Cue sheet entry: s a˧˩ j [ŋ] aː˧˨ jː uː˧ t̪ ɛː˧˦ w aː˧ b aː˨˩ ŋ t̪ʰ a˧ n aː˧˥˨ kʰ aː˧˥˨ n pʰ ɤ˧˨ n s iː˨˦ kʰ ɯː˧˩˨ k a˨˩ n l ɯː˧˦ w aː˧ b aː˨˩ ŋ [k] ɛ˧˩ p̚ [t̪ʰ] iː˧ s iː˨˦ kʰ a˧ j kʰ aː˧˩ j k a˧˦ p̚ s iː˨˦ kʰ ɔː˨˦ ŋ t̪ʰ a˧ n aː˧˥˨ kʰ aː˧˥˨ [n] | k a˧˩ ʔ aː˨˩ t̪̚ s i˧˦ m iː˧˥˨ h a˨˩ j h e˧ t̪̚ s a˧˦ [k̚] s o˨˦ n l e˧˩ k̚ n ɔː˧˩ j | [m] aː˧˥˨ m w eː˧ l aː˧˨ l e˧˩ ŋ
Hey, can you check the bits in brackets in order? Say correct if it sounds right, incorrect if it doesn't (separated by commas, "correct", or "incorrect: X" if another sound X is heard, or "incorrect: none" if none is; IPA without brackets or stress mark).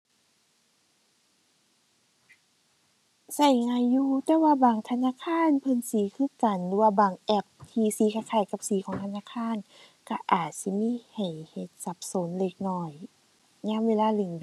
correct, incorrect: ʔ, correct, correct, incorrect: p̚, incorrect: ɲ